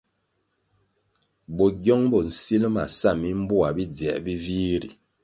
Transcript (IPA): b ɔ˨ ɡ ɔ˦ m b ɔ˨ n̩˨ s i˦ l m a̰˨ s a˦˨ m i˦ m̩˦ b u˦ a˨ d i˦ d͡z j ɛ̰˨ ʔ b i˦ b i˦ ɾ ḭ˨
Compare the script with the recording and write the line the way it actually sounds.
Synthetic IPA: b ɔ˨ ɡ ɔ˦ ŋ b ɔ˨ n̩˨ s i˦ l m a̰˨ s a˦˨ m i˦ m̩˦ b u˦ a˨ b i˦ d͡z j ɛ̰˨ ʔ b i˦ v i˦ ɾ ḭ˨